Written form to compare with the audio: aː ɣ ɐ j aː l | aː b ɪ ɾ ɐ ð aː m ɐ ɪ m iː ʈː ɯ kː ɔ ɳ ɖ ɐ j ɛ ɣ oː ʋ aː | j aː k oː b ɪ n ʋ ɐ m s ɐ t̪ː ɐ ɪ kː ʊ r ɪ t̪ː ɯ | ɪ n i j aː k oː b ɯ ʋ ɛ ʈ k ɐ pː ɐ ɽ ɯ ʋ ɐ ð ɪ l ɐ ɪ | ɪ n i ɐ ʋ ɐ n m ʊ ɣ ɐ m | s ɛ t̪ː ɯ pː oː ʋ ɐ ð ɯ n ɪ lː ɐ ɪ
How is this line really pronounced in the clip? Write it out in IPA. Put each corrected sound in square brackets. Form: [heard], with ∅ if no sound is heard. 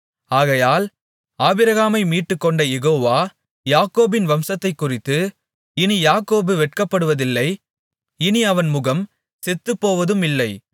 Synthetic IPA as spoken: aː ɣ ɐ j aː l | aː b ɪ ɾ ɐ [ɣ] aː m ɐ ɪ m iː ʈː ɯ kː ɔ ɳ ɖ ɐ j ɛ ɣ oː ʋ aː | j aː k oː b ɪ n ʋ ɐ m s ɐ t̪ː ɐ ɪ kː ʊ r ɪ t̪ː ɯ | ɪ n i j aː k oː b ɯ ʋ ɛ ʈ k ɐ pː ɐ ɽ ɯ ʋ ɐ ð ɪ [lː] ɐ ɪ | ɪ n i ɐ ʋ ɐ n m ʊ ɣ ɐ m | s ɛ t̪ː ɯ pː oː ʋ ɐ ð ɯ [m] ɪ lː ɐ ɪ